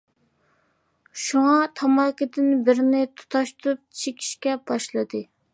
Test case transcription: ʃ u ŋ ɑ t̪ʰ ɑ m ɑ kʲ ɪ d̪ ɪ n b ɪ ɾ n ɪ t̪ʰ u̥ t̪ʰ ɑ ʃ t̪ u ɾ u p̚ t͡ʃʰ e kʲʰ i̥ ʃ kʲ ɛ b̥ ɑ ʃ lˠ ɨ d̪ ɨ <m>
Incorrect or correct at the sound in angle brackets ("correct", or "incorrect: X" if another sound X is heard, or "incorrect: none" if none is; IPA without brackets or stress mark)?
incorrect: none